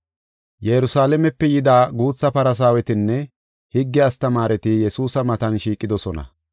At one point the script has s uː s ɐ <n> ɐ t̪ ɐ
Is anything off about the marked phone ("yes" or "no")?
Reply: yes